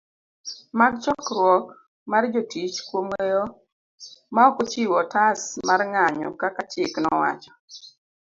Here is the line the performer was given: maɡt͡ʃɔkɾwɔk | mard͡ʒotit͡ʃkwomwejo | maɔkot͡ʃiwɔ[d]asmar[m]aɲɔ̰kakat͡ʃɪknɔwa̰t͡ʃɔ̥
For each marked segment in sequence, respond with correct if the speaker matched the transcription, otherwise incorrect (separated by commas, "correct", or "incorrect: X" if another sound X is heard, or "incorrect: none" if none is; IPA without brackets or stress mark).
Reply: incorrect: t, incorrect: ŋ